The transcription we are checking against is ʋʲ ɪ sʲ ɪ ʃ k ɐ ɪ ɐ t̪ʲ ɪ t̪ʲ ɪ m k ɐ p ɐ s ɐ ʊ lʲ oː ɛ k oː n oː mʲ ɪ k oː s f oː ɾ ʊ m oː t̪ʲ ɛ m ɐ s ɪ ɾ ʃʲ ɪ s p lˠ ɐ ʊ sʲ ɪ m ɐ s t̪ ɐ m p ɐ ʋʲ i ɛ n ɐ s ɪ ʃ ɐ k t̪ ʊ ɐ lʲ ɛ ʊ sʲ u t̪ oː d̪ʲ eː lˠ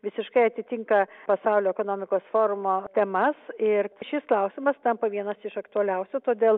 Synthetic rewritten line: ʋʲ ɪ sʲ ɪ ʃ k ɐ ɪ ɐ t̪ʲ ɪ t̪ʲ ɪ ŋ k ɐ p ɐ s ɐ ʊ lʲ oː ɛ k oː n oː mʲ ɪ k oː s f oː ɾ ʊ m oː t̪ʲ ɛ m ɐ s ɪ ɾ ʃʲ ɪ s k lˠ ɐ ʊ sʲ ɪ m ɐ s t̪ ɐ m p ɐ ʋʲ i ɛ n ɐ s ɪ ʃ ɐ k t̪ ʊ ɐ lʲ ɛ ʊ sʲ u t̪ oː d̪ʲ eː lˠ